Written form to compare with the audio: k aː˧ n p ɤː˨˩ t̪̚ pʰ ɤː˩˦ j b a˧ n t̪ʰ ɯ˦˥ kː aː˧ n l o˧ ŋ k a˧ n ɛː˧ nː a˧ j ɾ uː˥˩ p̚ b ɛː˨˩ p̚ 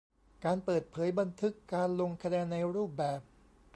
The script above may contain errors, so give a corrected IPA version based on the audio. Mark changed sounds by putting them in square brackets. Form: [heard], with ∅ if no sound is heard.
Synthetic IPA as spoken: k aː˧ n p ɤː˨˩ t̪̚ pʰ ɤː˩˦ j b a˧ n t̪ʰ ɯ˦˥ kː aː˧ n l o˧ ŋ [kʰ] a˧ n ɛː˧ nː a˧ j ɾ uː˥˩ p̚ b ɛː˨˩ p̚